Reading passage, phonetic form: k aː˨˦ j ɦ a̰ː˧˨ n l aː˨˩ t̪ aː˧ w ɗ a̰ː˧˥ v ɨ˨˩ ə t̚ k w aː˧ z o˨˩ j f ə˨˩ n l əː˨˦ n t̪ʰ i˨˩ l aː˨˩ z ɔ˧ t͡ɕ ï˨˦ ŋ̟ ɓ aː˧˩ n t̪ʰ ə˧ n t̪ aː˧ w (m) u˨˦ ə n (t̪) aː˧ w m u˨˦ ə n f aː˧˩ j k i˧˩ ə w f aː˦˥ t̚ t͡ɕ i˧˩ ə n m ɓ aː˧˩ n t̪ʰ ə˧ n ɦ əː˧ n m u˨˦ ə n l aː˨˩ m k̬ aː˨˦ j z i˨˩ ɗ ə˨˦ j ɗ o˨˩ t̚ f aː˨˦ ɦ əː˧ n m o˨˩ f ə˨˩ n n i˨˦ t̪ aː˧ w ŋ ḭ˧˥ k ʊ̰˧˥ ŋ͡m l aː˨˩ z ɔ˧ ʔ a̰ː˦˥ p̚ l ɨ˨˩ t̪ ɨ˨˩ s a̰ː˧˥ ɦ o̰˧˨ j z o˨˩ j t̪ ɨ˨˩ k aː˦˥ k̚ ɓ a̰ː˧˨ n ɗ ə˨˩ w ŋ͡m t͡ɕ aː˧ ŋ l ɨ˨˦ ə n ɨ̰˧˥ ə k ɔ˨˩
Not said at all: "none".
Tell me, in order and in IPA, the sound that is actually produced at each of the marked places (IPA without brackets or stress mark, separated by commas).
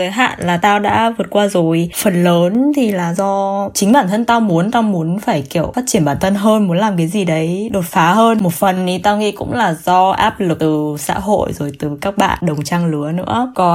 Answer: m, t̪